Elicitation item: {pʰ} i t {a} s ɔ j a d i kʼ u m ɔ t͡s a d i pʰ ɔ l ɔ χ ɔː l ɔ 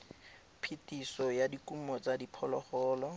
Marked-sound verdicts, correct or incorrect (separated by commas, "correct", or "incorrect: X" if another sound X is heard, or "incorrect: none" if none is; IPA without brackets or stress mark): correct, incorrect: i